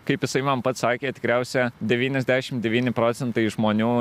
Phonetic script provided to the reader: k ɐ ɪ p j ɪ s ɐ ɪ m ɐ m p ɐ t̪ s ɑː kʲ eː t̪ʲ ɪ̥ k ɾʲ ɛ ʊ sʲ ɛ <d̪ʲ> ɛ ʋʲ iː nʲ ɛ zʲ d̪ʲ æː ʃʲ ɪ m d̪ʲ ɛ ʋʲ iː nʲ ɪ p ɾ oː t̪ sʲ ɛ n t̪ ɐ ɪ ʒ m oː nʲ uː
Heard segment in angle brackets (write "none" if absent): d̪ʲ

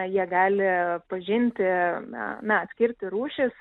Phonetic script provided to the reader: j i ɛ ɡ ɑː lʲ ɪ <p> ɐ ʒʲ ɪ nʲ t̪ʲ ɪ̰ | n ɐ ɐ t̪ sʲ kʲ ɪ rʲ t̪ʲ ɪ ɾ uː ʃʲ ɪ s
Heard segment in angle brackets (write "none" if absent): p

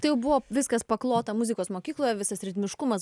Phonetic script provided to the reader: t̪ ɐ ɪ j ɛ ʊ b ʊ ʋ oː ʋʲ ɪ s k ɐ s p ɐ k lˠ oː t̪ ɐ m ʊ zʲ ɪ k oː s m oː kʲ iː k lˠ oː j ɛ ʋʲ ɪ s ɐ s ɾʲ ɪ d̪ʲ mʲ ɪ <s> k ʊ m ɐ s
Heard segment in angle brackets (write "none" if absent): ʃ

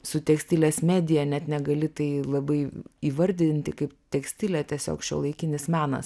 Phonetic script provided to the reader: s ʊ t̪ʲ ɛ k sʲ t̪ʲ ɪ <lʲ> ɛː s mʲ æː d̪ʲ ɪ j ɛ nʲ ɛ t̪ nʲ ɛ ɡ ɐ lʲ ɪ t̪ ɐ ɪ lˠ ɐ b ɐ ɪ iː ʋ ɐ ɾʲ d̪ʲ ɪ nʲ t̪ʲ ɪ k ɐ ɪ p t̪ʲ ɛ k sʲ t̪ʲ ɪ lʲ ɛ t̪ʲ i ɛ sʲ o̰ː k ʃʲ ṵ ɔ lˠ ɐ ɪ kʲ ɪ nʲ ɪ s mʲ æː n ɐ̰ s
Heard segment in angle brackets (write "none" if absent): lʲ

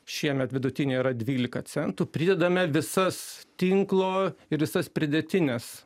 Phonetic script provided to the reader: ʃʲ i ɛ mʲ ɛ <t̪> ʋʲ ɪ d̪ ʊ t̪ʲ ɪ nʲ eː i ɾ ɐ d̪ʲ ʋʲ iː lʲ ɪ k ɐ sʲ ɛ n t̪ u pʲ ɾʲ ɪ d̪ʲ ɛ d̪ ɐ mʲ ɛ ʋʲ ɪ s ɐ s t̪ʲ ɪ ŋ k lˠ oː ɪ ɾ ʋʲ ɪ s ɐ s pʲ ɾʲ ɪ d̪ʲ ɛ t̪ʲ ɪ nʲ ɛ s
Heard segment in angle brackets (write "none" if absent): t̪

